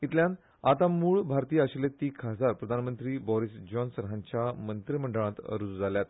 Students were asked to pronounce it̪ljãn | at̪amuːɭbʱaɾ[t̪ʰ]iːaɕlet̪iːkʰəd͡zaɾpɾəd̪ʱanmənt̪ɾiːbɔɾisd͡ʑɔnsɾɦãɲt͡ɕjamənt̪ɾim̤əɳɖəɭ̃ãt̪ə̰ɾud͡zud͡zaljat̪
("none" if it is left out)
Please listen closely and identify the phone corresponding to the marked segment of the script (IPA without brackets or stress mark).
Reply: t̪